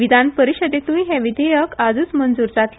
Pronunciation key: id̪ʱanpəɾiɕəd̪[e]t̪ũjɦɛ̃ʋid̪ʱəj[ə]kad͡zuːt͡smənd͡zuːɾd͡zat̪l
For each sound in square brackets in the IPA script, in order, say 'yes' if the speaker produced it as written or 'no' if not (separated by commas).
yes, yes